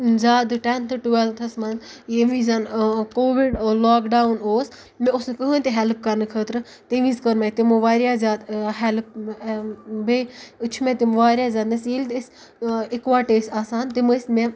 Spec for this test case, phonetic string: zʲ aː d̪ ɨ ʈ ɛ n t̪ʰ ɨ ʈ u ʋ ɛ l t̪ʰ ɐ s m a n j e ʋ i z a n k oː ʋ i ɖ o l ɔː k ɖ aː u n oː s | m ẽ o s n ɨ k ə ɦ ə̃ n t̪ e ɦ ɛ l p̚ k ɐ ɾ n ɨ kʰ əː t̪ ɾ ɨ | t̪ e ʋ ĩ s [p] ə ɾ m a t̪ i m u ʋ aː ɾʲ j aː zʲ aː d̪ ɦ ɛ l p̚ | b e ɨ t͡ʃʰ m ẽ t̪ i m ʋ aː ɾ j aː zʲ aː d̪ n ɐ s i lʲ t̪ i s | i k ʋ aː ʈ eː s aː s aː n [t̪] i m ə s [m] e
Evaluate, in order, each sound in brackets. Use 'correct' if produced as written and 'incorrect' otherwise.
incorrect: k, correct, correct

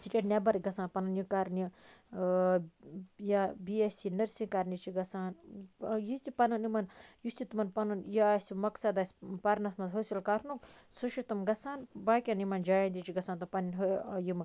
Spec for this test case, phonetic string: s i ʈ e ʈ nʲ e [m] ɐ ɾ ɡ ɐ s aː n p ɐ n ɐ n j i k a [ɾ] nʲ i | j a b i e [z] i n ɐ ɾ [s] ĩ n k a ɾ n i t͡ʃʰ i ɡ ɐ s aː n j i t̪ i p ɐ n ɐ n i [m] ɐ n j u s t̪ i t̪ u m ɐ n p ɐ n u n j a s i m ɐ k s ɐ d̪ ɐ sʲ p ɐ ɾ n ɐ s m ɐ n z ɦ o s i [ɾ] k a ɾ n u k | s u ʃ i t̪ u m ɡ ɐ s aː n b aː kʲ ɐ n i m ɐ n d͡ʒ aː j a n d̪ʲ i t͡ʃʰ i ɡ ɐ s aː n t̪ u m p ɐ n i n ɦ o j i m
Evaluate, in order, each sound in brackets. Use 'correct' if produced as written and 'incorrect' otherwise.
incorrect: b, correct, incorrect: s, correct, correct, incorrect: l

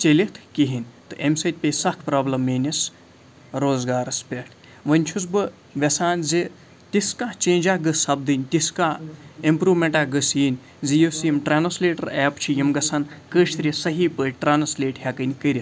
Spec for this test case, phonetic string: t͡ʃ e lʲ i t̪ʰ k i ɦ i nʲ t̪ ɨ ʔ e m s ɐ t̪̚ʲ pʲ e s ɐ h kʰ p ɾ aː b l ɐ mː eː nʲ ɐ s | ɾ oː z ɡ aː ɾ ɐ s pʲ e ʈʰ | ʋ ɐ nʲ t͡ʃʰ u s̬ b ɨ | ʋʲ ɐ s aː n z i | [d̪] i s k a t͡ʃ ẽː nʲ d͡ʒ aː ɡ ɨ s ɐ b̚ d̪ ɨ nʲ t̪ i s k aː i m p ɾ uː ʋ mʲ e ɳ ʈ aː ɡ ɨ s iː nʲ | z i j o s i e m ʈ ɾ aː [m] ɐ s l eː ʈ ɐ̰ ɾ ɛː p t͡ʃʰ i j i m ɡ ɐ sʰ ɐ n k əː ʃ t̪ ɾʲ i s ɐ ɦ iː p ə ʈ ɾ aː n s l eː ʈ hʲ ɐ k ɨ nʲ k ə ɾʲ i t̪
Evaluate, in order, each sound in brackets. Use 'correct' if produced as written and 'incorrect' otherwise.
incorrect: t̪, incorrect: n

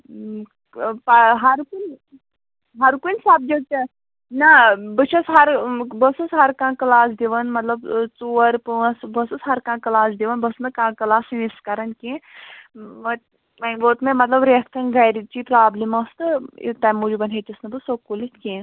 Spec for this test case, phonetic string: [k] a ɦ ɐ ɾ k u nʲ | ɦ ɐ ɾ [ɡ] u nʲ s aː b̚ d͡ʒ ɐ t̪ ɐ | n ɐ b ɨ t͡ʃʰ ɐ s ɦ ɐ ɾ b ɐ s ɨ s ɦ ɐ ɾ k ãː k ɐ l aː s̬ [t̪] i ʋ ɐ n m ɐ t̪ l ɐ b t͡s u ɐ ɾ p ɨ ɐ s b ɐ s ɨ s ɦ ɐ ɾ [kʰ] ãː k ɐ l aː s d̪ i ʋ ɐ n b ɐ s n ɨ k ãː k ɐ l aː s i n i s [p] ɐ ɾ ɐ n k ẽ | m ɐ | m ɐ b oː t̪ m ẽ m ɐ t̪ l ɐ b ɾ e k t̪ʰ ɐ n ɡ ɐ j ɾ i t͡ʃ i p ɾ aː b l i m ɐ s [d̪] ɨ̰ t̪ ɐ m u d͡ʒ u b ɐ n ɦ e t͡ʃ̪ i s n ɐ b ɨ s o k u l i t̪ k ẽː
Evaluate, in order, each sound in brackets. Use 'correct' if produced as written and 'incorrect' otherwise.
incorrect: p, incorrect: k, incorrect: d̪, incorrect: k, incorrect: k, incorrect: t̪

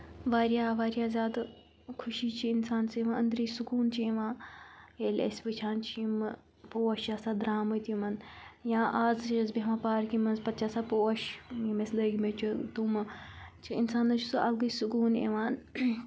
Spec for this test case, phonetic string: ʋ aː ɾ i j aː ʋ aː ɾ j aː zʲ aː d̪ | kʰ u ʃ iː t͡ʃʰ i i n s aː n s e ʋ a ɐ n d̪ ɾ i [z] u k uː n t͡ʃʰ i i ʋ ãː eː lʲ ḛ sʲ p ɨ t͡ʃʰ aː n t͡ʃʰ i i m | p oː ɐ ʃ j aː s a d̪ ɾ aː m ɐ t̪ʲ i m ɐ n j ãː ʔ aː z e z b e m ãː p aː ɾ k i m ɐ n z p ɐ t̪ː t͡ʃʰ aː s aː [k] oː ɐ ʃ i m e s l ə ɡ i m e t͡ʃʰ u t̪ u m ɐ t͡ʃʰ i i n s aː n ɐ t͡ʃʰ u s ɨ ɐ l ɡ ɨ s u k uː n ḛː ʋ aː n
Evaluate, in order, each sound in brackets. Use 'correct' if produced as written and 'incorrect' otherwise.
incorrect: s, incorrect: p

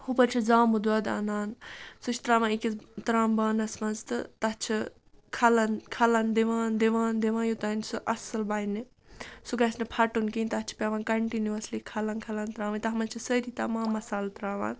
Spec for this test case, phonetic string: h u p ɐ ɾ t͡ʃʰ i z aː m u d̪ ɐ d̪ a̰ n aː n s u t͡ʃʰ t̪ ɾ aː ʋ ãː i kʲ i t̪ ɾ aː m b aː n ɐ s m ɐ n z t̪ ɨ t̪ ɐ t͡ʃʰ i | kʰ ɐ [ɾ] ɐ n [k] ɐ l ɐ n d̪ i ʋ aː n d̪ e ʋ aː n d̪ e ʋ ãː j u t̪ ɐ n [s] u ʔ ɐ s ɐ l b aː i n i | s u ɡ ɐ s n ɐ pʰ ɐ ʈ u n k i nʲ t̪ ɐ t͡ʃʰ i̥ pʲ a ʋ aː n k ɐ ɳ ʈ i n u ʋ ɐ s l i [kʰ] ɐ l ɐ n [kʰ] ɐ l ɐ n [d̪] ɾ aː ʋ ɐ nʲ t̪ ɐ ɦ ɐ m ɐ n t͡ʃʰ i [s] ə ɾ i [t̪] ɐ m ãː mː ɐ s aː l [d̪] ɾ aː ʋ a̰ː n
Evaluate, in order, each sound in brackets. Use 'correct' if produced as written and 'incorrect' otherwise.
incorrect: l, incorrect: kʰ, correct, correct, correct, incorrect: t̪, correct, correct, incorrect: t̪

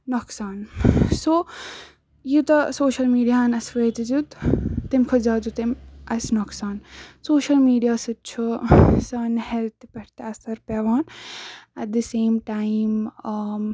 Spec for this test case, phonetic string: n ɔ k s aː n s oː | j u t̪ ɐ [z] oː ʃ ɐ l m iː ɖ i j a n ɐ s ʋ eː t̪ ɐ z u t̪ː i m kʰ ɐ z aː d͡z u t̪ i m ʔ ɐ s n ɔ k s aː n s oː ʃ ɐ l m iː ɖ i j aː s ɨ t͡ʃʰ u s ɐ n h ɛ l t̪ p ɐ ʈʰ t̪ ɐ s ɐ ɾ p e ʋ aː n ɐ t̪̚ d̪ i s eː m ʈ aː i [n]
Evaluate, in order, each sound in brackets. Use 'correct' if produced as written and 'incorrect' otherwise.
incorrect: s, incorrect: m

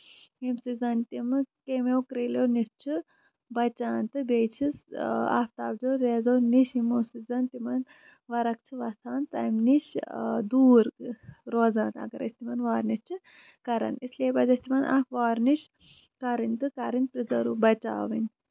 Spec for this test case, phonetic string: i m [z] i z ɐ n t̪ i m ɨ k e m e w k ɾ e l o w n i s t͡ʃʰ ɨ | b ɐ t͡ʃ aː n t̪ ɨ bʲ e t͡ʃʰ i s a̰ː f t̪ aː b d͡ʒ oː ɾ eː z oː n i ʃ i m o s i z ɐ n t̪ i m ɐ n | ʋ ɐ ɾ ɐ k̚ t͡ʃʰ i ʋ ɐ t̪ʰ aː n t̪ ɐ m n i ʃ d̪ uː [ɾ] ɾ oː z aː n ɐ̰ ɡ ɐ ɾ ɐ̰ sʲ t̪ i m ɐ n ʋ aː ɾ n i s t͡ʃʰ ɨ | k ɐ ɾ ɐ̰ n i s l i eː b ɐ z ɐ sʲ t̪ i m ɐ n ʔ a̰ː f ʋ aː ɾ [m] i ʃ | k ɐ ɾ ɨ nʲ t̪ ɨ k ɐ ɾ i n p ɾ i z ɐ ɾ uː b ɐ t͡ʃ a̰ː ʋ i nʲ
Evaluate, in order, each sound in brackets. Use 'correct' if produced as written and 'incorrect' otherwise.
incorrect: s, correct, incorrect: n

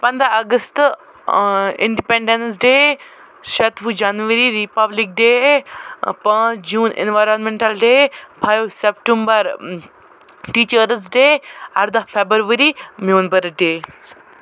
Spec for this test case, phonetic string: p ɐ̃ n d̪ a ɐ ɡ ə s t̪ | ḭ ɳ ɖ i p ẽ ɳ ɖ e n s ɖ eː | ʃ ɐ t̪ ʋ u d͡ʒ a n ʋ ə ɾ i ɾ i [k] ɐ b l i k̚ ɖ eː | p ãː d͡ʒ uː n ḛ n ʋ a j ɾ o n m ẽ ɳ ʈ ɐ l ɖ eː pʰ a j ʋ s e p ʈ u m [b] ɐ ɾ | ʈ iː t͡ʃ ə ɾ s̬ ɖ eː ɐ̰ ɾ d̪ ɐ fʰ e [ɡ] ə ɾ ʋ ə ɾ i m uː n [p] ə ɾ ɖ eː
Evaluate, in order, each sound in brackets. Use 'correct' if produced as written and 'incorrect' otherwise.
incorrect: p, correct, incorrect: b, incorrect: b

